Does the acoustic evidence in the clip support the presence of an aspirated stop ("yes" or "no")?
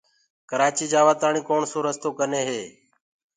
no